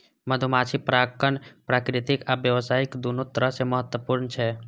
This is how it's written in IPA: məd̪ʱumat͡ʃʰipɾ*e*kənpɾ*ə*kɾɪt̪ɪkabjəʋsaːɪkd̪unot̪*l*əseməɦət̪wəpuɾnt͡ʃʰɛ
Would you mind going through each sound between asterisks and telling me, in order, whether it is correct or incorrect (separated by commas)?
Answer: incorrect, incorrect, incorrect